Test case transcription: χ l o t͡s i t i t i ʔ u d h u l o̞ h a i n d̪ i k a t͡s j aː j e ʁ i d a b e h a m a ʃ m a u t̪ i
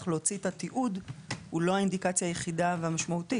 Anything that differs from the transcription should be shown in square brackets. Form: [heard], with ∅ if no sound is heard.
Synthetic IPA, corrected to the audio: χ l o t͡s i t [a] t i ʔ u d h u l o̞ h a i n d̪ i k a t͡s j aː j e [χ] i d a [v] e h a m a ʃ m a u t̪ i